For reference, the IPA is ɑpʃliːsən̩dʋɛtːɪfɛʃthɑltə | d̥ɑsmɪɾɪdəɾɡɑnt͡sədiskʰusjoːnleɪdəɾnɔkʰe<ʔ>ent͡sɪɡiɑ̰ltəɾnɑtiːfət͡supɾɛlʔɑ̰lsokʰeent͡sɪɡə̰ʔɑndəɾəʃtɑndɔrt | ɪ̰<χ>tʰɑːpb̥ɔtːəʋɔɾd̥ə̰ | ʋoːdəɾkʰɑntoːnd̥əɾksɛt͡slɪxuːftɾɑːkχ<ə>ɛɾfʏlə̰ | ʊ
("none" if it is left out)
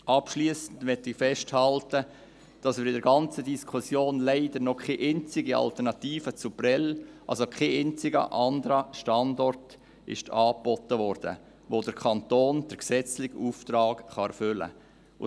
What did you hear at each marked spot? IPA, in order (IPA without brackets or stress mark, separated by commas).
ʔ, ʃ, ɑ